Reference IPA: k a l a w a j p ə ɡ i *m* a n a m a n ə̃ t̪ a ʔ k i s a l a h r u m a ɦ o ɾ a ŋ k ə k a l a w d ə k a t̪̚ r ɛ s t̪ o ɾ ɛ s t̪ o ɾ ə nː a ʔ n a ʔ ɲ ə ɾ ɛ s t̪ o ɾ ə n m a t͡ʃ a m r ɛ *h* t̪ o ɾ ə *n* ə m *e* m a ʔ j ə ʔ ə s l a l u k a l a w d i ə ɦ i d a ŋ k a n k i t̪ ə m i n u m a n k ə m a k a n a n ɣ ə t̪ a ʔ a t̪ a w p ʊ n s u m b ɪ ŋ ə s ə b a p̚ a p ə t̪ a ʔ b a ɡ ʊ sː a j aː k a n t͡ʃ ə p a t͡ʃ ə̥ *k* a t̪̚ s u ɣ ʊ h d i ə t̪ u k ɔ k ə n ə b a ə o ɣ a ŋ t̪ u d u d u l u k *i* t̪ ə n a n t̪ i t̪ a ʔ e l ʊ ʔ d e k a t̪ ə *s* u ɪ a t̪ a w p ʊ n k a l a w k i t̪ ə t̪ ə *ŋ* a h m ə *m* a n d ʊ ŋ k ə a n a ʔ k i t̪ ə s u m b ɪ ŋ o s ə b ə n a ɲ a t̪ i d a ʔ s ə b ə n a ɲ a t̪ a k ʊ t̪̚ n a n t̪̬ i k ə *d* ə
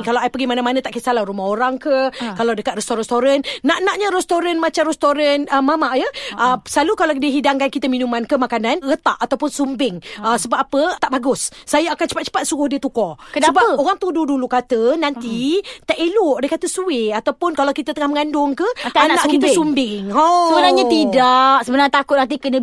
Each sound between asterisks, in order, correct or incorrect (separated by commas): correct, incorrect, correct, incorrect, incorrect, incorrect, correct, correct, incorrect, incorrect